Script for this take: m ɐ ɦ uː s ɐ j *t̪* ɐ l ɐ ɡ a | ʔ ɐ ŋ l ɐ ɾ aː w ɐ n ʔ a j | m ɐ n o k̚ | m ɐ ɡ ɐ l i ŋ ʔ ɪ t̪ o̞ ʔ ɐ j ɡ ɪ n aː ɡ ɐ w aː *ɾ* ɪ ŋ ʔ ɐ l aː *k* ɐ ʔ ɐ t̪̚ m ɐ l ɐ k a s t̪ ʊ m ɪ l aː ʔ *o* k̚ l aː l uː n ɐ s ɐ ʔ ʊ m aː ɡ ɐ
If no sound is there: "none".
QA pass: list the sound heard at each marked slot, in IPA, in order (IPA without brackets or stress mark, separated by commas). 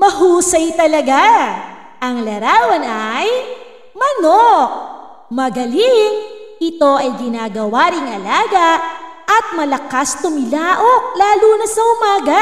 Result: t̪, ɾ, ɡ, o